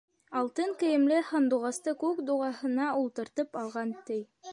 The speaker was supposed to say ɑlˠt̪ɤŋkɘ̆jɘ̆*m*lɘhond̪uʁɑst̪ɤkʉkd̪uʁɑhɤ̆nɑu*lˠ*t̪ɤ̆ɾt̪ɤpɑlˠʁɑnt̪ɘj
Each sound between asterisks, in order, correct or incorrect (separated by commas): correct, correct